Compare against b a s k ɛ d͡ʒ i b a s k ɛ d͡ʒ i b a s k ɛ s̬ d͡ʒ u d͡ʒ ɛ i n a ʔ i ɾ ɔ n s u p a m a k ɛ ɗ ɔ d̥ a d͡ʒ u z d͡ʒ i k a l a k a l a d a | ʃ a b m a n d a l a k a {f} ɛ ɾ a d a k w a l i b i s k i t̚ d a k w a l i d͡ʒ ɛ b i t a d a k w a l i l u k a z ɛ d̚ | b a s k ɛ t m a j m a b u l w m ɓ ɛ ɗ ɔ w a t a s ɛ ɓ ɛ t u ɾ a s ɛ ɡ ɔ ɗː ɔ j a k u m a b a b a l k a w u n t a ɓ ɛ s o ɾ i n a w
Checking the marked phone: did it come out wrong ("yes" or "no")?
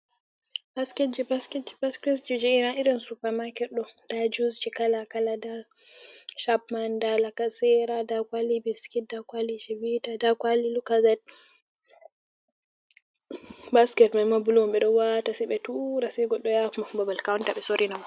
yes